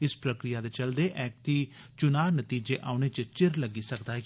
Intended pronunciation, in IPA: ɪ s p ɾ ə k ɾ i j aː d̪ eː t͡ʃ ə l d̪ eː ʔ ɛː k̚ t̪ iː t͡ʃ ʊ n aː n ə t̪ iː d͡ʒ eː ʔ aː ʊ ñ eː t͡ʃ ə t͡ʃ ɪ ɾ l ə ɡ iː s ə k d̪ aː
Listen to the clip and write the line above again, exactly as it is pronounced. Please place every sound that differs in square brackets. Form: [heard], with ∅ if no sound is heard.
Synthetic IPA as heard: ɪ s p ɾ ə k ɾ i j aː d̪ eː t͡ʃ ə l d̪ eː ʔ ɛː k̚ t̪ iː t͡ʃ ʊ n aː n ə t̪ iː d͡ʒ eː ʔ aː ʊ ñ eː t͡ʃ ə t͡ʃ ɪ ɾ l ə ɡ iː s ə k d̪ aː